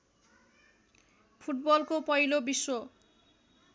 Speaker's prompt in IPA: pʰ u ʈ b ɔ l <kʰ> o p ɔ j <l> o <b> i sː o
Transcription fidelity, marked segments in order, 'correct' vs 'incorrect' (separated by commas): incorrect, correct, correct